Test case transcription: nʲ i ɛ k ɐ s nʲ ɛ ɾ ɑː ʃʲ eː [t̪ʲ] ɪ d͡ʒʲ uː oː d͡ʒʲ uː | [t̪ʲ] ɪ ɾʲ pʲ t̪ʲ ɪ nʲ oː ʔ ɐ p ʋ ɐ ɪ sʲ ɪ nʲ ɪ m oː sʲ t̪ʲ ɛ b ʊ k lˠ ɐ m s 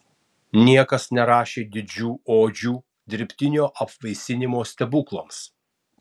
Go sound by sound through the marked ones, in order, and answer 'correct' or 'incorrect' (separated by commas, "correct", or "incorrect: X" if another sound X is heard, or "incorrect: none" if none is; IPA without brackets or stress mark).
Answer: incorrect: d̪ʲ, incorrect: d̪ʲ